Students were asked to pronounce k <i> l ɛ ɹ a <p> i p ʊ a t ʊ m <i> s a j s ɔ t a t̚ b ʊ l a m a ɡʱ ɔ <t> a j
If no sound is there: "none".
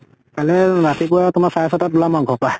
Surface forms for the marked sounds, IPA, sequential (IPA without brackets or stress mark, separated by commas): a, t, a, p